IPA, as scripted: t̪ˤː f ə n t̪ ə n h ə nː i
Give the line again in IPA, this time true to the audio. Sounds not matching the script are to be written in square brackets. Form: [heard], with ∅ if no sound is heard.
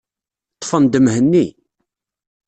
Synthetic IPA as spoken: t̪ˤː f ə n [d̪] ə [m] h ə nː i

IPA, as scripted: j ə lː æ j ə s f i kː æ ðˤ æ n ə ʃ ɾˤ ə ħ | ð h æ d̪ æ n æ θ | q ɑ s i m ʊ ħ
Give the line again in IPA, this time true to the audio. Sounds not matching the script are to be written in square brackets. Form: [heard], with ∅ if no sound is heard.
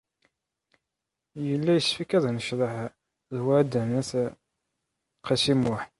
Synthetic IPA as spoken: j ə lː æ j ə s f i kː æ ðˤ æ n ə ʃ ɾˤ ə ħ | ð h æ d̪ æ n æ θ | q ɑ s i m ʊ ħ

